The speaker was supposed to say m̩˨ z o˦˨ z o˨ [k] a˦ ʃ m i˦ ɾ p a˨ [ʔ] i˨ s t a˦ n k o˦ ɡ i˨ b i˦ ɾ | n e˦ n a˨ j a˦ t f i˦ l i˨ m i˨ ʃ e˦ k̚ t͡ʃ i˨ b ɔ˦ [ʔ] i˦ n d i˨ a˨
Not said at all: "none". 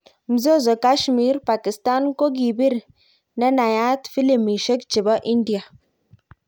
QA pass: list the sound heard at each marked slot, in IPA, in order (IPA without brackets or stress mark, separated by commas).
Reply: k, k, ʔ